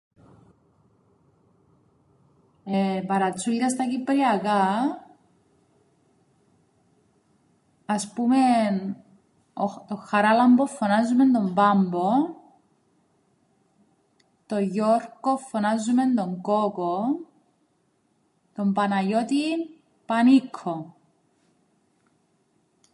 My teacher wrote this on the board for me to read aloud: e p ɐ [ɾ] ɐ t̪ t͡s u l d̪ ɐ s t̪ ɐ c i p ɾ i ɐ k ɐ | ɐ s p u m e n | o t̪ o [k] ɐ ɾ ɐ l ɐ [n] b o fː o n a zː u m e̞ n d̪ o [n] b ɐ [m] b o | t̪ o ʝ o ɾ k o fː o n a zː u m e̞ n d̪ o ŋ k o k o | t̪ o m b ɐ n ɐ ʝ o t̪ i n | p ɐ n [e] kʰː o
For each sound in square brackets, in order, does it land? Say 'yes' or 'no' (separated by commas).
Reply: yes, no, no, no, yes, no